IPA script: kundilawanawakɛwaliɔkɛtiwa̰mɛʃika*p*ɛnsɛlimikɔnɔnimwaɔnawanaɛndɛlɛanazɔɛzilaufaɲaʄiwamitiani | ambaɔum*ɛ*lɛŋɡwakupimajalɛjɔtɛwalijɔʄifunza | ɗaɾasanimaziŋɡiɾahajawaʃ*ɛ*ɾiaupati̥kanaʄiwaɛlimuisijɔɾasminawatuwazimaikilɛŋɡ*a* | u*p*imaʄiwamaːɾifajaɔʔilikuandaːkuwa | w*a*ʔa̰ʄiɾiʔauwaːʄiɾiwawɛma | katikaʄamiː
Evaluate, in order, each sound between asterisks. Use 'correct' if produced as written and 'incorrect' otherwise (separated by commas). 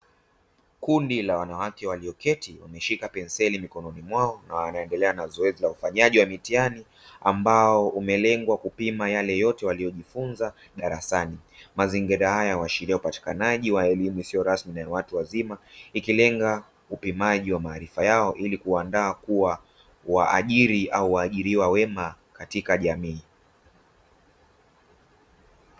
correct, correct, incorrect, correct, correct, correct